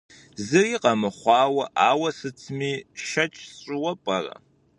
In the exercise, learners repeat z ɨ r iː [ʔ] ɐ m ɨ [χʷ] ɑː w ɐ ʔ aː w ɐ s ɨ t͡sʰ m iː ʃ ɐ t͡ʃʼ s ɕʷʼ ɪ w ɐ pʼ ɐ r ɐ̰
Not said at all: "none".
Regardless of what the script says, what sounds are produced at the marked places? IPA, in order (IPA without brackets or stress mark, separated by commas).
q, χʷ